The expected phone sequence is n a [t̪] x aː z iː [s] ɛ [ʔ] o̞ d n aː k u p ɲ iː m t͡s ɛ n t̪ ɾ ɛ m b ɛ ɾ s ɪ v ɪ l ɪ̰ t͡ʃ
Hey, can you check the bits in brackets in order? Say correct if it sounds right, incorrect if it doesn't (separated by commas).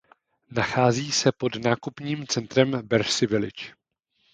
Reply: incorrect, correct, incorrect